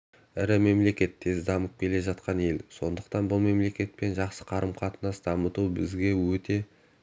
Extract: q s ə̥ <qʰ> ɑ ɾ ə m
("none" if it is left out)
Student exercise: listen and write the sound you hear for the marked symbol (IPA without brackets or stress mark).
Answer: qʰ